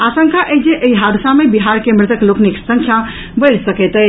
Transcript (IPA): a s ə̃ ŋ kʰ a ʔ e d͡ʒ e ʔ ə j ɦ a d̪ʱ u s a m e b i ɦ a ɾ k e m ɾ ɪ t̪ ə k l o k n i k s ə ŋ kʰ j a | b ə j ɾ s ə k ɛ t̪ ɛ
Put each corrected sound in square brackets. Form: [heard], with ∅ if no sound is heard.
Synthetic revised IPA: a s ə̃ ŋ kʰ a ʔ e d͡ʒ e ʔ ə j ɦ a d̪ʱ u s a m e b i ɦ a ɾ k e m ɾ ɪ t̪ ə k l o k n i k s ə ŋ kʰ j a | b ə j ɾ s ə k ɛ t̪ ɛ